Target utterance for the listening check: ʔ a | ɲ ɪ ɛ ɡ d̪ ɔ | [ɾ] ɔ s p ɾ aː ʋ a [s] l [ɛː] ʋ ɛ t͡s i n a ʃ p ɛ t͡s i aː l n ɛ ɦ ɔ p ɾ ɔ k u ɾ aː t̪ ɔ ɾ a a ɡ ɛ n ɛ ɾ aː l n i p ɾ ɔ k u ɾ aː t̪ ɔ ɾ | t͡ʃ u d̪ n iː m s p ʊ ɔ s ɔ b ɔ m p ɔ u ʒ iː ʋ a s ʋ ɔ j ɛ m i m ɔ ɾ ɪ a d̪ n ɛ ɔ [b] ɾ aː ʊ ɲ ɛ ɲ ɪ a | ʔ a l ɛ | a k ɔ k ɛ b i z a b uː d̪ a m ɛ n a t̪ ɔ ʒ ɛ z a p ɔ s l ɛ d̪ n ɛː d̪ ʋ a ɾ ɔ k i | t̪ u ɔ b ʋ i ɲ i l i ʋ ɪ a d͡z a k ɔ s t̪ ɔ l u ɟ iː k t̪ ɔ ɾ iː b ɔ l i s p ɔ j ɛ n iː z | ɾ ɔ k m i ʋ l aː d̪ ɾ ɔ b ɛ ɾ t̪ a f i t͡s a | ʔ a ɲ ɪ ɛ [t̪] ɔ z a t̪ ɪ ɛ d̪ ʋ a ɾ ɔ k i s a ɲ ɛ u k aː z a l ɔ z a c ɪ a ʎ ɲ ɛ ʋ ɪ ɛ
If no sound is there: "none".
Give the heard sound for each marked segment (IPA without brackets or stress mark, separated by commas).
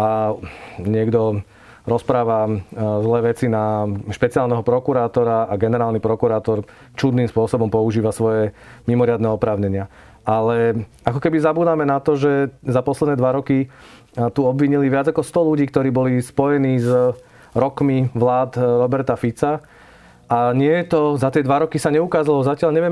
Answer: ɾ, z, ɛː, p, t̪